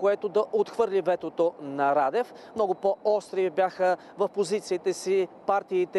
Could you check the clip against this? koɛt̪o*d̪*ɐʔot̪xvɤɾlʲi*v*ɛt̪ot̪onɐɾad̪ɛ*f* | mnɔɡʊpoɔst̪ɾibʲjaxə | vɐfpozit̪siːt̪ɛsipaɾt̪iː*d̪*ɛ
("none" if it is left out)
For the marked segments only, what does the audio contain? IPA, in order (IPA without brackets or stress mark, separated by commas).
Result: d̪, v, f, t̪